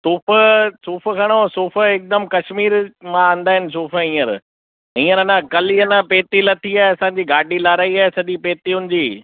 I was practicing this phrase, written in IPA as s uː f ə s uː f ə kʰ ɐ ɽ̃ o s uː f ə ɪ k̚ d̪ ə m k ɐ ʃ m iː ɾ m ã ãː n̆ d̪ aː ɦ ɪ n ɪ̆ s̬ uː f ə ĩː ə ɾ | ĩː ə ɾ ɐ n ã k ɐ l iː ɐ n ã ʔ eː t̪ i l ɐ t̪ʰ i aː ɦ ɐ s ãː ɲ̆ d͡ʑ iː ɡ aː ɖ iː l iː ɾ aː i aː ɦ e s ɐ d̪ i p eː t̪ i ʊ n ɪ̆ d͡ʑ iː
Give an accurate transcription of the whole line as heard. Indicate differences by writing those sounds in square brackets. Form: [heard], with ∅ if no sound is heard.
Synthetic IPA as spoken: s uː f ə s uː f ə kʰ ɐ ɽ̃ o s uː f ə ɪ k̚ d̪ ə m k ɐ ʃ m iː ɾ m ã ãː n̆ d̪ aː ɦ ɪ n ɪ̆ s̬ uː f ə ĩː ə ɾ | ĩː ə ɾ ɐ n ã k ɐ l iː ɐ n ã [p] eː t̪ i l ɐ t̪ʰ i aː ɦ ɐ s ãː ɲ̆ d͡ʑ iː ɡ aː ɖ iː l [aː] ɾ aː i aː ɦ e s ɐ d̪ i p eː t̪ i ʊ n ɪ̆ d͡ʑ iː